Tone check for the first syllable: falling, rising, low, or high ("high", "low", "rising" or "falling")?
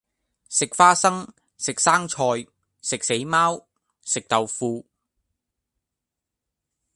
low